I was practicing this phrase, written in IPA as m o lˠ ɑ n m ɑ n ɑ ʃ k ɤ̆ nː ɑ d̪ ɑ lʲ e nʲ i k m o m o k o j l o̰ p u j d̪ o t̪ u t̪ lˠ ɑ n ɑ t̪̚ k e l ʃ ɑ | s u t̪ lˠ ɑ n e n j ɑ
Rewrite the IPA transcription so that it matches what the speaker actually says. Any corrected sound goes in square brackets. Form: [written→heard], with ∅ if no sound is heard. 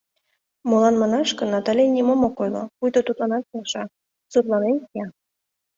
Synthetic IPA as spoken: m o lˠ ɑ n m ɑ n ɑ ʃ k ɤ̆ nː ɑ [d̪→t̪] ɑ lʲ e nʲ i [k→∅] m o m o k o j l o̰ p u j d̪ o t̪ u t̪ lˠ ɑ n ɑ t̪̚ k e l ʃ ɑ | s u t̪ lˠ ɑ n e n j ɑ